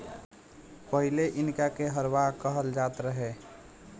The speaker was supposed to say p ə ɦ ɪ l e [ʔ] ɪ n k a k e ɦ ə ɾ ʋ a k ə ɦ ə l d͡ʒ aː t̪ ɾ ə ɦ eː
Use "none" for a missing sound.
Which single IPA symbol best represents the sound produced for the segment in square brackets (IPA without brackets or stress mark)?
ʔ